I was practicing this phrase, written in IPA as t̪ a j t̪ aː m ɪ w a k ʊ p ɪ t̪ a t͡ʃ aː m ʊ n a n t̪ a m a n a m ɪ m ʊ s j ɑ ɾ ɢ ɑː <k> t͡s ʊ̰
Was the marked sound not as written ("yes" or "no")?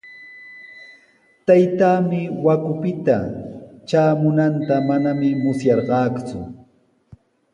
no